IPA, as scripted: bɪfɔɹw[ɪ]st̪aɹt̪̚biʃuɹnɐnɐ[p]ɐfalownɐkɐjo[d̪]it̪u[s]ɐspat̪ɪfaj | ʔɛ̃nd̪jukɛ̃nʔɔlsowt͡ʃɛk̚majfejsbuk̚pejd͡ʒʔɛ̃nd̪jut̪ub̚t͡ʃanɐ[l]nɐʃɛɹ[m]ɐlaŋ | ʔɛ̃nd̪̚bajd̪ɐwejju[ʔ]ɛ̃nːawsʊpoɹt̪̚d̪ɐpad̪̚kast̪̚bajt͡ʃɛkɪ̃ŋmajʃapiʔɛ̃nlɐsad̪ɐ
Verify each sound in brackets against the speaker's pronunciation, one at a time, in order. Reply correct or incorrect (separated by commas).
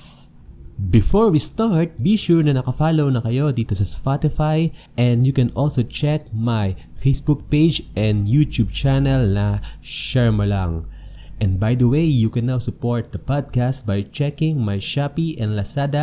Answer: incorrect, incorrect, correct, correct, correct, correct, incorrect